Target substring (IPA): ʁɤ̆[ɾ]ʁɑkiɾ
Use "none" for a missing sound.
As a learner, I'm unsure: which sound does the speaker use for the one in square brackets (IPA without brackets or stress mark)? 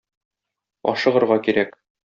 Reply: ɾ